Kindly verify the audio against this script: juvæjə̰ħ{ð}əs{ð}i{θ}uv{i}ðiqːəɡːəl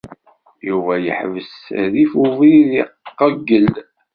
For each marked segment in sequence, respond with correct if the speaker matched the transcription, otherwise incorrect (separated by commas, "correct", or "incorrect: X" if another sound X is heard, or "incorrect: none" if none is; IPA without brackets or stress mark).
incorrect: v, correct, incorrect: f, correct